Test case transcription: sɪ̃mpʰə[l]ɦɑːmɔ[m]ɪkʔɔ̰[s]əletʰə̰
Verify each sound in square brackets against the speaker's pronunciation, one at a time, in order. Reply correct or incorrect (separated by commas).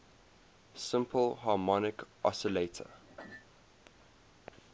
correct, incorrect, correct